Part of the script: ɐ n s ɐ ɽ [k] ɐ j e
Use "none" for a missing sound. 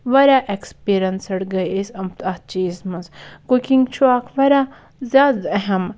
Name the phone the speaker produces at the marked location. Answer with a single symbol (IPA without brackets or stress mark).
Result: ɡ